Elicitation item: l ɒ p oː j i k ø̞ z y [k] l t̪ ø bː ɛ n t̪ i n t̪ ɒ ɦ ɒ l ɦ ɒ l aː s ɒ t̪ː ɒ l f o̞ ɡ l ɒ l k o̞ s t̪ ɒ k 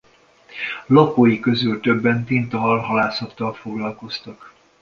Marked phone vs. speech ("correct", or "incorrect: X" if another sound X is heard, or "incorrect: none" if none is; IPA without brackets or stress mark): incorrect: none